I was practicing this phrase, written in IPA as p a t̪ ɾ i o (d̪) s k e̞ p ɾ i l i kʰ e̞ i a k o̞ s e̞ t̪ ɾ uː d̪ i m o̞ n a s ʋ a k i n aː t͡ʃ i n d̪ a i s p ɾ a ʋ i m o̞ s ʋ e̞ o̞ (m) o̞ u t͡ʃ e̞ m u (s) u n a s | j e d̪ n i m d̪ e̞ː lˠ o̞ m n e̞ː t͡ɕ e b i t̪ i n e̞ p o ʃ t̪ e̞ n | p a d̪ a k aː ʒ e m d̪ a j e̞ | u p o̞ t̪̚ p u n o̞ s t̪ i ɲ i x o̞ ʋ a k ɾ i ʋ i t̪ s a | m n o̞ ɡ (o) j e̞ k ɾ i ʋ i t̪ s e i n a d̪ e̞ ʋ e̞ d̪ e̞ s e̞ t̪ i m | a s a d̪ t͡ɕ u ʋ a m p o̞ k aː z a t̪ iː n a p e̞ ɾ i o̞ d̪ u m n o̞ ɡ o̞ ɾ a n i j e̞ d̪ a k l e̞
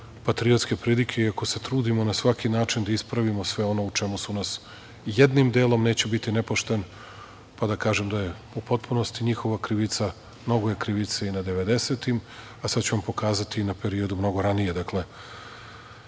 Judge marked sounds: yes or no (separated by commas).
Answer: no, no, yes, yes